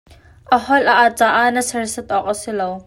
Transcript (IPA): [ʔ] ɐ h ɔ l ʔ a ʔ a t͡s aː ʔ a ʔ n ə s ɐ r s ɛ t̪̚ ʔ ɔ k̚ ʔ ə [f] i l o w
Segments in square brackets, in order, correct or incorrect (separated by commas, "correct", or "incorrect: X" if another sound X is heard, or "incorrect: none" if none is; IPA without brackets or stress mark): correct, incorrect: s